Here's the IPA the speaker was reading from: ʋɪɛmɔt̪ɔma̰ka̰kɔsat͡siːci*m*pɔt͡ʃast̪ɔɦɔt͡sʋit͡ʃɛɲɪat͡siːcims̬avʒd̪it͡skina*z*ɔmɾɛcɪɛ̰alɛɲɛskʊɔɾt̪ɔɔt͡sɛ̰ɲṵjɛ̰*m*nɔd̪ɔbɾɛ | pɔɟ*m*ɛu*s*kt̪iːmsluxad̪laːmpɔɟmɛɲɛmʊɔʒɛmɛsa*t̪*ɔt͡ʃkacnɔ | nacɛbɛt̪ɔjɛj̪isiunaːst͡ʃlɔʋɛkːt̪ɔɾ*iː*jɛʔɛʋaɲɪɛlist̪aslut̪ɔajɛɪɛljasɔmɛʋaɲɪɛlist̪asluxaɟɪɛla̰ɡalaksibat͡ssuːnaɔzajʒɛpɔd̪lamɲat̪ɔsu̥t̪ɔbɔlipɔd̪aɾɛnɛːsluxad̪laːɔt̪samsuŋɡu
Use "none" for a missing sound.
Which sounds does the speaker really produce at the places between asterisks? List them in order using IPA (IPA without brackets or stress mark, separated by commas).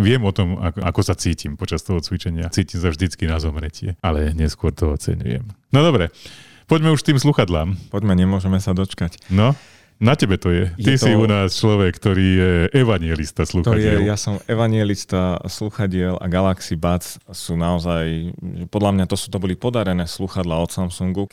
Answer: m, z, m, m, ʃ, d̪, iː